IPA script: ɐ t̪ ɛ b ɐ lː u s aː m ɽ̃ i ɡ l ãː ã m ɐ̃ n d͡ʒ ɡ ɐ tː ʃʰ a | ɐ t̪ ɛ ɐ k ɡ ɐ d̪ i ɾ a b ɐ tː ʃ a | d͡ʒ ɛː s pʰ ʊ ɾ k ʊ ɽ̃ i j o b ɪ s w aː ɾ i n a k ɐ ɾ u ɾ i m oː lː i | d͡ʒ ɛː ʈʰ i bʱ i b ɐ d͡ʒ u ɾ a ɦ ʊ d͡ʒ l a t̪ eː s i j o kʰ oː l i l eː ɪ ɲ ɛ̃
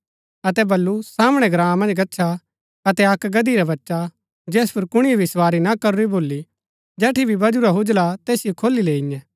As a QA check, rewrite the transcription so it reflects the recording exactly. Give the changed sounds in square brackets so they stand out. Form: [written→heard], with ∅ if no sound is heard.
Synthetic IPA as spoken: ɐ t̪ ɛ b ɐ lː u s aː m ɽ̃ [i→ɛ] ɡ [l→ɾ] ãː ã m ɐ̃ n d͡ʒ ɡ ɐ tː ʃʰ a | ɐ t̪ ɛ ɐ k ɡ ɐ d̪ i ɾ a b ɐ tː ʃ a | d͡ʒ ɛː s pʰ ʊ ɾ k ʊ ɽ̃ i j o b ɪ s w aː ɾ i n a k ɐ ɾ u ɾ i [m→b] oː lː i | d͡ʒ ɛː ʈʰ i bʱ i b ɐ d͡ʒ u ɾ a ɦ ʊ d͡ʒ l a t̪ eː s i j o kʰ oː l i l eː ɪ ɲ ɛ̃